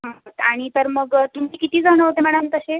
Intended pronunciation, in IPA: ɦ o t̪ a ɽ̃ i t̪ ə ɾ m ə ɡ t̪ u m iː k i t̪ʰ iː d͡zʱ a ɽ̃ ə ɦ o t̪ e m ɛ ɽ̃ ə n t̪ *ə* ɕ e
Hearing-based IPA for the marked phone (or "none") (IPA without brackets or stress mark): ə